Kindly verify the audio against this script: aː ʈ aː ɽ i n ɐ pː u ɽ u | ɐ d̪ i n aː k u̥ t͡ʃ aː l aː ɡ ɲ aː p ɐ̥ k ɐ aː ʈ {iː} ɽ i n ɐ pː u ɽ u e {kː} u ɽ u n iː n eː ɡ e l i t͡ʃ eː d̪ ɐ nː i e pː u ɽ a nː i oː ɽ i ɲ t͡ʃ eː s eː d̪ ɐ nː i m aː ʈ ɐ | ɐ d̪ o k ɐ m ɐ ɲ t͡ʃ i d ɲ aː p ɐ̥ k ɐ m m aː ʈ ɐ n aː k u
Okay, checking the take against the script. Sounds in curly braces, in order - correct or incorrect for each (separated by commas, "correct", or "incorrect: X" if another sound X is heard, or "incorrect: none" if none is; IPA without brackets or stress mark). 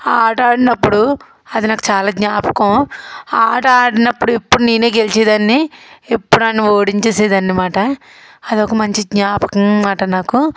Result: incorrect: aː, incorrect: pː